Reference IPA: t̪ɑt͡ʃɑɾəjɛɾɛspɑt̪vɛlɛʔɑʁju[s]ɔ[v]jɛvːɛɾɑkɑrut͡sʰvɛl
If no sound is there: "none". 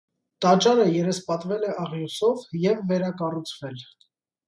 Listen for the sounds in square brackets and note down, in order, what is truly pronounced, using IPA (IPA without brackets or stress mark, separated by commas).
s, v